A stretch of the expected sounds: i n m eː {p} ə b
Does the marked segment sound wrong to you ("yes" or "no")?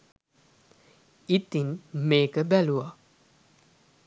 yes